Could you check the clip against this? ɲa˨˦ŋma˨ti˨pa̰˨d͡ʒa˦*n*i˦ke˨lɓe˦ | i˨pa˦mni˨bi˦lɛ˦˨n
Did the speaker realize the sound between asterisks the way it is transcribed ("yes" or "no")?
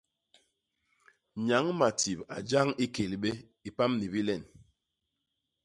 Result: no